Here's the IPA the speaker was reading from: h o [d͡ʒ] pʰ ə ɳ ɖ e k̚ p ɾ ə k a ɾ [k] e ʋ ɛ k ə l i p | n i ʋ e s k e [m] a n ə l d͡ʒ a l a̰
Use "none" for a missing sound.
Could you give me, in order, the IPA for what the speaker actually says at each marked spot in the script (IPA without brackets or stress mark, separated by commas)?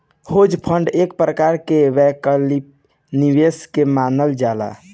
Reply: d͡ʒ, k, m